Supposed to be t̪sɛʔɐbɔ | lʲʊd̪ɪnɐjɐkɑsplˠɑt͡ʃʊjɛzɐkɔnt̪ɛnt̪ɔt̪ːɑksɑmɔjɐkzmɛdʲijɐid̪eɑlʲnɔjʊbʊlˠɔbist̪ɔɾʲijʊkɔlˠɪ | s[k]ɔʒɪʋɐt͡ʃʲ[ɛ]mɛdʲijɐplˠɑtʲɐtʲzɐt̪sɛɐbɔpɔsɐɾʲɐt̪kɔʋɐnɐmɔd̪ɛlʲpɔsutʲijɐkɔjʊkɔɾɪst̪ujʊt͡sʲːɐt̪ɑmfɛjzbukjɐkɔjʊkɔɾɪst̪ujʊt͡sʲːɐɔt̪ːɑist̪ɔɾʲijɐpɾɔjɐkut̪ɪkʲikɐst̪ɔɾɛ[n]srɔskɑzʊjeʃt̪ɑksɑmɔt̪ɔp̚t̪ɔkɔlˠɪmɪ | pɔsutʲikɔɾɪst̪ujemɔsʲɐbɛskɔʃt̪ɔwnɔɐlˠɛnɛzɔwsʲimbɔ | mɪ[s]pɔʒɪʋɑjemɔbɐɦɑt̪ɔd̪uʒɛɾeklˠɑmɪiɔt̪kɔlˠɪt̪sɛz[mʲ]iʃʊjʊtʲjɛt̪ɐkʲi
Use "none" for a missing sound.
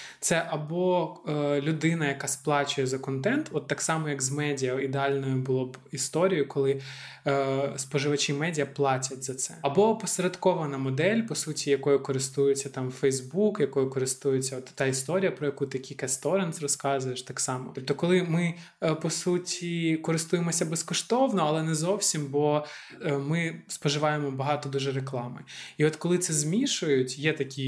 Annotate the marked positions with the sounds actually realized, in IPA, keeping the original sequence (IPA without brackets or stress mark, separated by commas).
p, i, n, s, mʲ